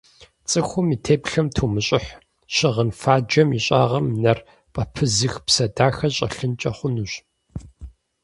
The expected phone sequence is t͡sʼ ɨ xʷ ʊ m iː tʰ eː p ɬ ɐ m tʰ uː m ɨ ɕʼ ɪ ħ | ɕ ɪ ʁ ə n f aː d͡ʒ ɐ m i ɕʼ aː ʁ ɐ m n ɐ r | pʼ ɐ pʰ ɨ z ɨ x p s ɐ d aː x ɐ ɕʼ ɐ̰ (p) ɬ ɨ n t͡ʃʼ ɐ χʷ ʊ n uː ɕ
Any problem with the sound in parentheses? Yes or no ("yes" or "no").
yes